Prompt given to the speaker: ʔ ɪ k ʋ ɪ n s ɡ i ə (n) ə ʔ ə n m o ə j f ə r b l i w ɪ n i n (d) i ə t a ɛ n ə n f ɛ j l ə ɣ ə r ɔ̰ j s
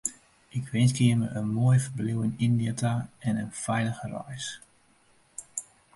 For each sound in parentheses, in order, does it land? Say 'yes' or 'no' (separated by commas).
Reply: no, yes